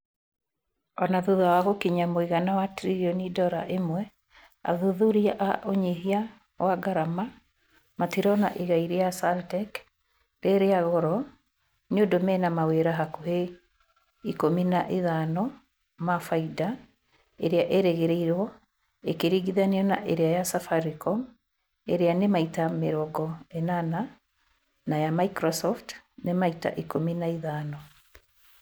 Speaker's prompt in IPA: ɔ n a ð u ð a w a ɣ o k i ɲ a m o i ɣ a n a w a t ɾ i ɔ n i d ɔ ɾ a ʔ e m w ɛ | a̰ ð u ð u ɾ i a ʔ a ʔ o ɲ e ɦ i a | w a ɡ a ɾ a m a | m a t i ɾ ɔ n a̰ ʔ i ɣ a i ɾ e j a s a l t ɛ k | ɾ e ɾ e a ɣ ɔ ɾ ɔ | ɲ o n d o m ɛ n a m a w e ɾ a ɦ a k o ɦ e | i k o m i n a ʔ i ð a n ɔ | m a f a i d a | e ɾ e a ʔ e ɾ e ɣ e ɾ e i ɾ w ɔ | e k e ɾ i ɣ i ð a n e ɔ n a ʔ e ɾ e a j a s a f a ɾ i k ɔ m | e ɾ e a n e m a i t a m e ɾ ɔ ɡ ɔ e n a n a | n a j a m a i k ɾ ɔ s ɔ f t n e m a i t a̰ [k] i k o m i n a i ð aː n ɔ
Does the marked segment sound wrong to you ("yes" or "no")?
yes